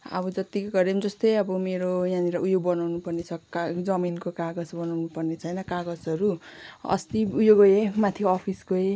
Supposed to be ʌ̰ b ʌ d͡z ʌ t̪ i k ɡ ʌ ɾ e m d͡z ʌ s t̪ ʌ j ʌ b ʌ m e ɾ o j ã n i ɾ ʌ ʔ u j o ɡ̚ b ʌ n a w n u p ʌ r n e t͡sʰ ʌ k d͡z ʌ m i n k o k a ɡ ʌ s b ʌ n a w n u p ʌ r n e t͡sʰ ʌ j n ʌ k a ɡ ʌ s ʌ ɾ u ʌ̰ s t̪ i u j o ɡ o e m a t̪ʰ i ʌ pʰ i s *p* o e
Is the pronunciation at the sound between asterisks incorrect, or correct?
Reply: incorrect